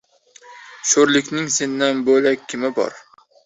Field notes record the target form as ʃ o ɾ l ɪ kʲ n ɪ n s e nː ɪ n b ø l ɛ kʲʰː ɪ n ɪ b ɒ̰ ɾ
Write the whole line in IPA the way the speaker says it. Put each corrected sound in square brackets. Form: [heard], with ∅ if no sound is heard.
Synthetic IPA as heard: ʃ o ɾ l ɪ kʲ n ɪ [ŋ] s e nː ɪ n b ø l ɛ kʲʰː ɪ [m] ɪ b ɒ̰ ɾ